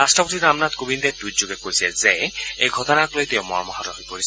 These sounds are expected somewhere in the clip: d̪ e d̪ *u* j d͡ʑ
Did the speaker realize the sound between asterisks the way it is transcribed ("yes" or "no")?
yes